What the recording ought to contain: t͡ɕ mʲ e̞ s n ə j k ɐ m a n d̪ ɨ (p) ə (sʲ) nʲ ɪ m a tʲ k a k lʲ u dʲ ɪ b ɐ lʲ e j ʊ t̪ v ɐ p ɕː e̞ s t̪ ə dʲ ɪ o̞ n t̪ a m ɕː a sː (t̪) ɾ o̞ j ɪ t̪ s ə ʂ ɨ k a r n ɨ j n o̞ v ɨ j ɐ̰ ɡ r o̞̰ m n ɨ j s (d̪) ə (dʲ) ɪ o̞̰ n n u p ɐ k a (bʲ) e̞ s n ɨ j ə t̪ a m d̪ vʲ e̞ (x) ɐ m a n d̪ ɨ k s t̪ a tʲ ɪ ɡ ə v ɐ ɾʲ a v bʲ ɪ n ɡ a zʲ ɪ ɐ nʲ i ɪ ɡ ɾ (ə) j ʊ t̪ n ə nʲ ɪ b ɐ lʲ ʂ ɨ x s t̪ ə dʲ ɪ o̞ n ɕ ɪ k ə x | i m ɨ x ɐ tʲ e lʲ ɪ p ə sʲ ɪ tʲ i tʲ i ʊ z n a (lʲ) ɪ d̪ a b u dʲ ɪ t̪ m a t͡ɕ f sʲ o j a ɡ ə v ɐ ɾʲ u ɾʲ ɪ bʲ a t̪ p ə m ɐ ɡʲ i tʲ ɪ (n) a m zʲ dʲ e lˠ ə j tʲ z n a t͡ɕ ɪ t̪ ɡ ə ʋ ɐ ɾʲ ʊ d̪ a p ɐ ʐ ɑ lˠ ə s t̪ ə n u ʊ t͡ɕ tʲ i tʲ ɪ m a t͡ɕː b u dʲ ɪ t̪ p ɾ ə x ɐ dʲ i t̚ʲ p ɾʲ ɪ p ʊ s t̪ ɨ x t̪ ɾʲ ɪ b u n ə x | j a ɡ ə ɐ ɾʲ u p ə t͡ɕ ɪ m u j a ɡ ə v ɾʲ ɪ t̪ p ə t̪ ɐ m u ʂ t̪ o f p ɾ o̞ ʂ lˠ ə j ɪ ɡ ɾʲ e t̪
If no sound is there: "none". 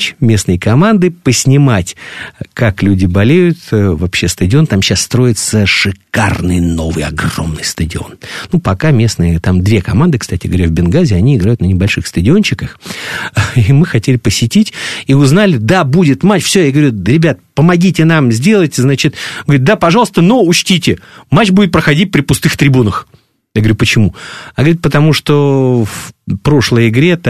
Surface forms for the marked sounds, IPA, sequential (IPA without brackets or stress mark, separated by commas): p, sʲ, t̪, t̪, dʲ, mʲ, k, a, lʲ, n